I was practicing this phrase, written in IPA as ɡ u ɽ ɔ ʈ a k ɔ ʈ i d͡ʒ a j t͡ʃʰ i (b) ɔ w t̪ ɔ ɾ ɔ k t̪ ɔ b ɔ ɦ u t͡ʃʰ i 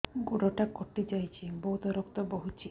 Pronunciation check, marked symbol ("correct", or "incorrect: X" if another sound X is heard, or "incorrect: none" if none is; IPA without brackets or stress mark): correct